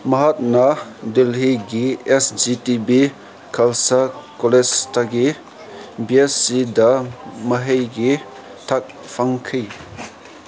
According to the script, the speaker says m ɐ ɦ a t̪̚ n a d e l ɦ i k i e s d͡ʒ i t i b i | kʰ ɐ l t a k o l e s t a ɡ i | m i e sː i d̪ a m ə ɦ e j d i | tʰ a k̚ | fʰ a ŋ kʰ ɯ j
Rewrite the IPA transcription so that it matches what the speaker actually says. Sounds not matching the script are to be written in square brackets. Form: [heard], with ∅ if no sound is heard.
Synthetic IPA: m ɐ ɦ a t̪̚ n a d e l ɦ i [ɡ] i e s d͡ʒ i t i b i | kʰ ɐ l [s] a k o l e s t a ɡ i | [b] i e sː i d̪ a m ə ɦ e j [ɡ] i | tʰ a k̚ | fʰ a ŋ kʰ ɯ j